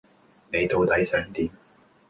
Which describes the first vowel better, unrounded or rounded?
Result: unrounded